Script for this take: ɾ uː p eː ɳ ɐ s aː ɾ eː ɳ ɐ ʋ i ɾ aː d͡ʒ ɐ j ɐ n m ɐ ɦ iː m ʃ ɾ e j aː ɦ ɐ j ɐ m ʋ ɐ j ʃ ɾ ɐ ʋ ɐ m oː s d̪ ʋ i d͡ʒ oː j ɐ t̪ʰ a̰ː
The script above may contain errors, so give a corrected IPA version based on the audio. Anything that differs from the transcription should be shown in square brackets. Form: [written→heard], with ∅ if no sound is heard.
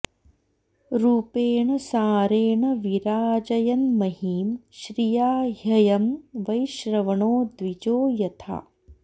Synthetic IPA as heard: ɾ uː p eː ɳ ɐ s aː ɾ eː ɳ ɐ ʋ i ɾ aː d͡ʒ ɐ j ɐ n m ɐ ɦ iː m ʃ ɾ [e→i] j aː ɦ ɐ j ɐ m ʋ ɐ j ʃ ɾ ɐ ʋ ɐ [m→ɳ] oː [s→∅] d̪ ʋ i d͡ʒ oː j ɐ t̪ʰ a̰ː